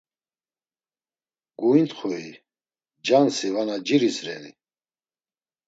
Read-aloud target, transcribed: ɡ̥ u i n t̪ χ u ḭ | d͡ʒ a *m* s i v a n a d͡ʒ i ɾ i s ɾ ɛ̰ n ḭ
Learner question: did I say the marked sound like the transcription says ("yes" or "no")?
no